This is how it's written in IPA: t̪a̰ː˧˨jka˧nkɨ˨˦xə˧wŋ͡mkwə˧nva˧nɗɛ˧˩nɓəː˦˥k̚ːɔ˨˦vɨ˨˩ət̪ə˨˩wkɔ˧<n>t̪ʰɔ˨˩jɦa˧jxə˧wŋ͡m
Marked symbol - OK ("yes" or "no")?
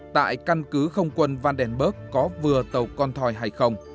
yes